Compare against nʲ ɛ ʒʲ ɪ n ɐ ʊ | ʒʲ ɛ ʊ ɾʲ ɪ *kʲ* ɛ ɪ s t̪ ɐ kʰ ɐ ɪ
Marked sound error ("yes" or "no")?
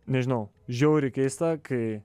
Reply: no